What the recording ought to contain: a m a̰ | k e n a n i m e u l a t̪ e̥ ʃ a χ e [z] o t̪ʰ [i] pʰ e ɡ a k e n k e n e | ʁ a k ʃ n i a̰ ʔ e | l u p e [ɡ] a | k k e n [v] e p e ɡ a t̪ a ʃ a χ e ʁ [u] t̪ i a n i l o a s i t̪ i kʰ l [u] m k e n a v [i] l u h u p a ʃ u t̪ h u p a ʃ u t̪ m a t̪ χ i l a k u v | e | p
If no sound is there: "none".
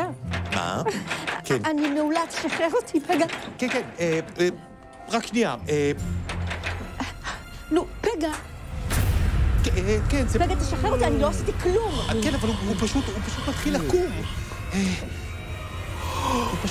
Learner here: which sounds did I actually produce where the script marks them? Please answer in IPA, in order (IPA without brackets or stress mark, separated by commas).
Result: ʁ, i, ɡ, z, o, u, a